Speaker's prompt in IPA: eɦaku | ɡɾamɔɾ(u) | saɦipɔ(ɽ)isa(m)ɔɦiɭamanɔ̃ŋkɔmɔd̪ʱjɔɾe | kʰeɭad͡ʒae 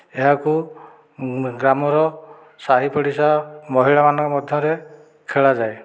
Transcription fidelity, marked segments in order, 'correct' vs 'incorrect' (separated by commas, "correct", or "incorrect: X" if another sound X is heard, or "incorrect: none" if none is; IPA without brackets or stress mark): incorrect: ɔ, correct, correct